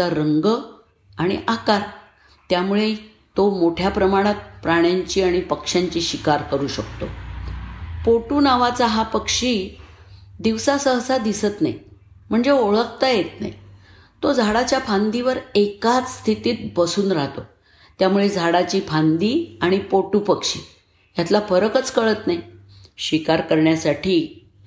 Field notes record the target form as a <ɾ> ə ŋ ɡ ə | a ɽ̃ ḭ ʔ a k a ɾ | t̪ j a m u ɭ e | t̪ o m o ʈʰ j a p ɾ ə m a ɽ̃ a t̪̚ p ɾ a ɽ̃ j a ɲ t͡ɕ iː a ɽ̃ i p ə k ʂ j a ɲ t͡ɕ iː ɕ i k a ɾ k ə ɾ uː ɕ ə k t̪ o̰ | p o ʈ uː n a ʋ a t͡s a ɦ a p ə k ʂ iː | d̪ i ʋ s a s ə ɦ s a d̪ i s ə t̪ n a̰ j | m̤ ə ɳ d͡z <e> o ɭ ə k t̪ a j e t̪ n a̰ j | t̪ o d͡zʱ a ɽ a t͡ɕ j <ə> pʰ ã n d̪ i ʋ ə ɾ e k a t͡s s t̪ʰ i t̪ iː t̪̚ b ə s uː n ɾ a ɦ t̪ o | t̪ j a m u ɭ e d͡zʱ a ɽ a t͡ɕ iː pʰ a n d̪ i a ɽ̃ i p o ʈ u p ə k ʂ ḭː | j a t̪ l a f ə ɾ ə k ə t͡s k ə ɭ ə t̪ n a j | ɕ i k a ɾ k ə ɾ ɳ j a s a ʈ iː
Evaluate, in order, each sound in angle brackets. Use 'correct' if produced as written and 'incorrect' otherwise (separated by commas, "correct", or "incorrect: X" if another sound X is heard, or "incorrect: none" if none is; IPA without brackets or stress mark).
correct, correct, incorrect: a